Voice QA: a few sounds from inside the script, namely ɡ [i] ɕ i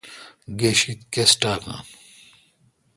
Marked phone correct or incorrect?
incorrect